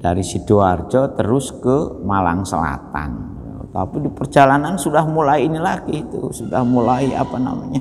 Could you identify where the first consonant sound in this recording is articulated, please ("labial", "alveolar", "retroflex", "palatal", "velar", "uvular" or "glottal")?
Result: alveolar